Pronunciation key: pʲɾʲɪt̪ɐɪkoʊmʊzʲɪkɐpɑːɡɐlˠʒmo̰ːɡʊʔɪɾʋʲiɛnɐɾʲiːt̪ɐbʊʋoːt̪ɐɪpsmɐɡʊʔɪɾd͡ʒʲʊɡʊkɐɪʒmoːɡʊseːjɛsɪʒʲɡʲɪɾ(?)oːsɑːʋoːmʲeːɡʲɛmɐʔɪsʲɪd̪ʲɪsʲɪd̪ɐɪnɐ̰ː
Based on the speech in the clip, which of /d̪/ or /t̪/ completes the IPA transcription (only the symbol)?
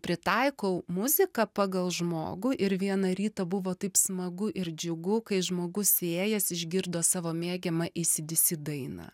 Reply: d̪